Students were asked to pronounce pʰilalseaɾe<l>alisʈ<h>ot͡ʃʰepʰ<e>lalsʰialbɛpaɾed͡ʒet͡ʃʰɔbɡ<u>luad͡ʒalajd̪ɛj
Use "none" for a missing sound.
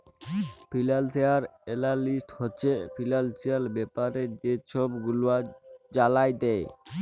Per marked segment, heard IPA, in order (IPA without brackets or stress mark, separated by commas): l, h, i, u